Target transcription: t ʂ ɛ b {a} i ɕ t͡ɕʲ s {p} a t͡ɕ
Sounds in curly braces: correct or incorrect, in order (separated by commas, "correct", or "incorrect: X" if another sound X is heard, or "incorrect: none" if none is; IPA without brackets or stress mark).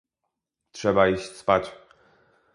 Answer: correct, correct